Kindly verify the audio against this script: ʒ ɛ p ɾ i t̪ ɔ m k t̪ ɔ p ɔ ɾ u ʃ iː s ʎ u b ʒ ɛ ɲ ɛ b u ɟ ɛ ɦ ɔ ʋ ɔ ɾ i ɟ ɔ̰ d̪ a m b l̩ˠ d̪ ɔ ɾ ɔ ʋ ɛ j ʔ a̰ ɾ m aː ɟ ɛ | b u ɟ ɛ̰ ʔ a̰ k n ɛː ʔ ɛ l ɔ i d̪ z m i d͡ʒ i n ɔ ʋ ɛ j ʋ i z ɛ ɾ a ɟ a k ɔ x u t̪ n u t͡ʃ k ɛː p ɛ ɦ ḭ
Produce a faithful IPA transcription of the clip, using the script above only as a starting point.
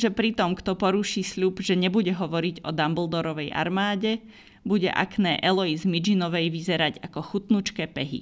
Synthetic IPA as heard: ʒ ɛ p ɾ i t̪ ɔ m k t̪ ɔ p ɔ ɾ u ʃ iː s ʎ u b ʒ ɛ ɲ ɛ b u ɟ ɛ ɦ ɔ ʋ ɔ ɾ i ɟ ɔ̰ d̪ a m b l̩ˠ d̪ ɔ ɾ ɔ ʋ ɛ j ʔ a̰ ɾ m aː ɟ ɛ | b u ɟ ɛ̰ ʔ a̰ k n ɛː ʔ ɛ l ɔ i z m i d͡ʒ i n ɔ ʋ ɛ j ʋ i z ɛ ɾ a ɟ a k ɔ x u t̪ n u t͡ʃ k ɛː p ɛ ɦ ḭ